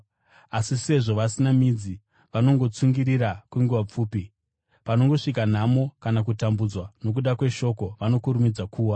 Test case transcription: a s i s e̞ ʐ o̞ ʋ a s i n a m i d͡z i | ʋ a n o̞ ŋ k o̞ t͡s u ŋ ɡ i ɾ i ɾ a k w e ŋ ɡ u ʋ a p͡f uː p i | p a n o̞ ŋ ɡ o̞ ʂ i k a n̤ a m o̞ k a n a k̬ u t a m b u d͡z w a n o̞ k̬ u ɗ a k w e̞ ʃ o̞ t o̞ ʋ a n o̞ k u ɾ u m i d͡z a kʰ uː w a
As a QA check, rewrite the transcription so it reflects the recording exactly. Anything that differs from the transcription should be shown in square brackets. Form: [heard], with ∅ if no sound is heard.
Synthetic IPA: a s i s e̞ ʐ o̞ ʋ a s i n a m i d͡z i | ʋ a n o̞ ŋ [ɡ] o̞ t͡s u ŋ ɡ i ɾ i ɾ a k w e ŋ ɡ u ʋ a p͡f uː p i | p a n o̞ ŋ ɡ o̞ ʂ i k a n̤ a m o̞ k a n a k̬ u t a m b u d͡z w a n o̞ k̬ u ɗ a k w e̞ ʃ o̞ [k] o̞ ʋ a n o̞ k u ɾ u m i d͡z a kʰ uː w a